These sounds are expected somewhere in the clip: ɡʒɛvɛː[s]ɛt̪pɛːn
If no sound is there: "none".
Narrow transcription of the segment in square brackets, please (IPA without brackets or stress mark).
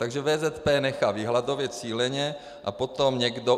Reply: z